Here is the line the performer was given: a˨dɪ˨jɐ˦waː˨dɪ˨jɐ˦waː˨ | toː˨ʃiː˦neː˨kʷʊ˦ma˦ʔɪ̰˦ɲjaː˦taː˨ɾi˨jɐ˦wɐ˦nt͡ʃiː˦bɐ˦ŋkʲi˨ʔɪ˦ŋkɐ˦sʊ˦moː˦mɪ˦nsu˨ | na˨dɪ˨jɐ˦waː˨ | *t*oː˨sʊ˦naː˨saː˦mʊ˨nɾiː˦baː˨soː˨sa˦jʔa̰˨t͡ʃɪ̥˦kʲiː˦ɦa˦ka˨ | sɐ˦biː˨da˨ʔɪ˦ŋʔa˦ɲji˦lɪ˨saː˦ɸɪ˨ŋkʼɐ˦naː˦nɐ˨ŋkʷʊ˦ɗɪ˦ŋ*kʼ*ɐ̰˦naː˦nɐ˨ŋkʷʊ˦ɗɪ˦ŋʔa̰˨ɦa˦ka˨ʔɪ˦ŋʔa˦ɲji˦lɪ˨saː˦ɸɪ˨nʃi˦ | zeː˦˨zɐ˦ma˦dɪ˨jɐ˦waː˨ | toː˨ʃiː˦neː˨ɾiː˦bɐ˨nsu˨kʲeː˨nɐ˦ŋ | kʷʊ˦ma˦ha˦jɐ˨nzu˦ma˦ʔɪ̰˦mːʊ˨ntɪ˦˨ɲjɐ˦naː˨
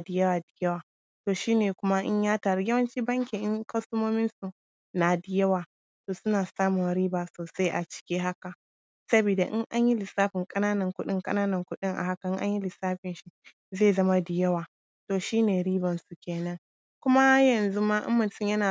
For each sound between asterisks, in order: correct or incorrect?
correct, correct

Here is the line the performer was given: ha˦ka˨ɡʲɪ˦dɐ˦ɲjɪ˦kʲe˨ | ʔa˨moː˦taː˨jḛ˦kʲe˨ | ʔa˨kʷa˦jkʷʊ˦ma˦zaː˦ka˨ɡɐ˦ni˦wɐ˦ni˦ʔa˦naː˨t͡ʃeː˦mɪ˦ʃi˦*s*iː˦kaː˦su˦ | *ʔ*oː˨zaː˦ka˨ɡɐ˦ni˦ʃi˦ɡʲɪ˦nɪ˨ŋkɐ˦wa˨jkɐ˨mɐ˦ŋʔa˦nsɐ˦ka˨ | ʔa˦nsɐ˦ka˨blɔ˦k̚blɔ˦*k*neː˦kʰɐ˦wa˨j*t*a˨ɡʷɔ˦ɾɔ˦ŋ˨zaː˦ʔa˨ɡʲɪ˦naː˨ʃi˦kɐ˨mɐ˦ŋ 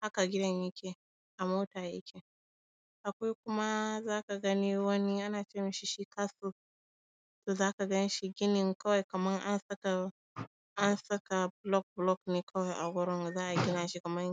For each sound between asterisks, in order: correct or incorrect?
incorrect: ʃ, incorrect: t, correct, incorrect: ʔ

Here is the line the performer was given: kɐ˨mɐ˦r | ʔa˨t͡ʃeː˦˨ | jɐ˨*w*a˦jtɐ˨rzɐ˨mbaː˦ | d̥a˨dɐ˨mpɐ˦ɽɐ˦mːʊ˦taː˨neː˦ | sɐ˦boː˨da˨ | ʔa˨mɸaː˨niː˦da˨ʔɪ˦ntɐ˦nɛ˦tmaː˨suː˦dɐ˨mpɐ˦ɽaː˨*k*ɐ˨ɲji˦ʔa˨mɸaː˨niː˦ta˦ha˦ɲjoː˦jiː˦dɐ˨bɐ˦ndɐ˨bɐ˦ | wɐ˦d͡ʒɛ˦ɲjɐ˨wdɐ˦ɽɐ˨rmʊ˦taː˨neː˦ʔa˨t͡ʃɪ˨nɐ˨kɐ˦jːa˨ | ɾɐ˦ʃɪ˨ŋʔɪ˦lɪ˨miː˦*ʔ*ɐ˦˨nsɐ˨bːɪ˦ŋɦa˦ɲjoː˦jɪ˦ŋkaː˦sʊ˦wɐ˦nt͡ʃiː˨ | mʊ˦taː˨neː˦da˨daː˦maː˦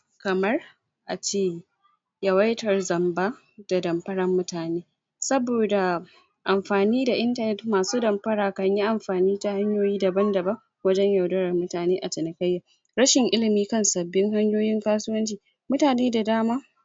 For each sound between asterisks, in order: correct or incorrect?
correct, correct, incorrect: k

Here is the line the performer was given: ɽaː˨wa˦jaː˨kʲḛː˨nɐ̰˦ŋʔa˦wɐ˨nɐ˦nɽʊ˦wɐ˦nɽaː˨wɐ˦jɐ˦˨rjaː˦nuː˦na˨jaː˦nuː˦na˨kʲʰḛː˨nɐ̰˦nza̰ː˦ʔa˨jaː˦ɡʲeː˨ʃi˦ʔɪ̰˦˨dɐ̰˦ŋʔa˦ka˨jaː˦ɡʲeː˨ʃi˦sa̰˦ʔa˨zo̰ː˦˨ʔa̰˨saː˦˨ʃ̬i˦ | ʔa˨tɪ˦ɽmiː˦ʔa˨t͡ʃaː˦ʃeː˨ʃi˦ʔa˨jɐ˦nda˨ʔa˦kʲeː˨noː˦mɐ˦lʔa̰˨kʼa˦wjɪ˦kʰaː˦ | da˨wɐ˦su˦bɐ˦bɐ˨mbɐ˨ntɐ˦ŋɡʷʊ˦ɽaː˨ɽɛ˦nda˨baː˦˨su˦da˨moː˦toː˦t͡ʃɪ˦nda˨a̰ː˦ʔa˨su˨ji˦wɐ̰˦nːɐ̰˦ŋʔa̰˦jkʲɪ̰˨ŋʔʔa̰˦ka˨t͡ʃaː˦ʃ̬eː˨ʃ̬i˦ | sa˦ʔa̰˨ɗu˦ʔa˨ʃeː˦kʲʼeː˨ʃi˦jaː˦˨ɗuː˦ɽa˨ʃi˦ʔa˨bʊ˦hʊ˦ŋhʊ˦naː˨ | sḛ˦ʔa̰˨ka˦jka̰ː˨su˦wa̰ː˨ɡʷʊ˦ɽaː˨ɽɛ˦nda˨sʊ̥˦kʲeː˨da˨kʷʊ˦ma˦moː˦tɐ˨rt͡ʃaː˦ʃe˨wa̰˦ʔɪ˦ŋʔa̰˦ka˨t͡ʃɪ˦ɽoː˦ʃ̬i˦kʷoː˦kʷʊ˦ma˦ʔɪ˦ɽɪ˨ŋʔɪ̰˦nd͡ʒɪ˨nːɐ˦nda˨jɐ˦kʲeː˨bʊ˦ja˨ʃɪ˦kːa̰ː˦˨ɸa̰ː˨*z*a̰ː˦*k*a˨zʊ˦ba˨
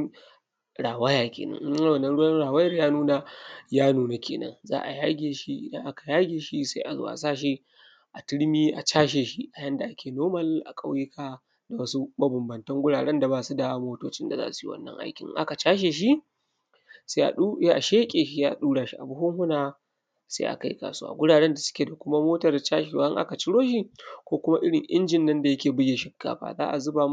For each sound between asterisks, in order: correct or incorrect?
correct, incorrect: ʔ

